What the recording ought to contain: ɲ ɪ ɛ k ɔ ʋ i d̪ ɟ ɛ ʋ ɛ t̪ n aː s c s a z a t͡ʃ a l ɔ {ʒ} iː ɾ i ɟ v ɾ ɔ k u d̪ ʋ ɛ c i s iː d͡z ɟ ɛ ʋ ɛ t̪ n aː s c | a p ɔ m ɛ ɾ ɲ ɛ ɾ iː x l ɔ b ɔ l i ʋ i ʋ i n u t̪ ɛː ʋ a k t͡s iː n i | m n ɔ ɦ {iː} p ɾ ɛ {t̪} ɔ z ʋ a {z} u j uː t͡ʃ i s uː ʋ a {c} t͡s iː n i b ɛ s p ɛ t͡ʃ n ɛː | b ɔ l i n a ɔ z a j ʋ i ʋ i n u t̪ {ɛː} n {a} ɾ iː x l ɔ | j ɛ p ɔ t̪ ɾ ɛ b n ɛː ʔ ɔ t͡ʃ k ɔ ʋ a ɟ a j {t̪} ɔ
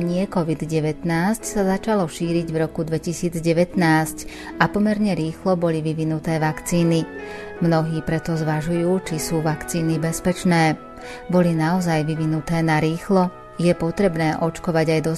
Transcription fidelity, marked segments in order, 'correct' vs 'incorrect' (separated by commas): incorrect, correct, correct, incorrect, incorrect, correct, correct, incorrect